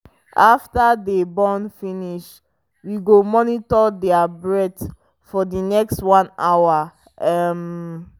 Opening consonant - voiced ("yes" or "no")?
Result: no